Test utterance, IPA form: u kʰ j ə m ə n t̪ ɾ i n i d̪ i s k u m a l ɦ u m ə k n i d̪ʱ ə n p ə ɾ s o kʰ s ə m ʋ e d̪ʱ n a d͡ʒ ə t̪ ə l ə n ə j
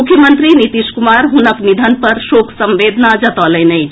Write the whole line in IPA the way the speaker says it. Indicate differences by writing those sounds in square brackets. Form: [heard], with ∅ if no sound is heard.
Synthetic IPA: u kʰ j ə m ə n t̪ ɾ i n i [t̪] i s k u m a [ɾ] ɦ u [n] ə k n i d̪ʱ ə n p ə ɾ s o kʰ s ə m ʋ e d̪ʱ n a d͡ʒ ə t̪ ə l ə n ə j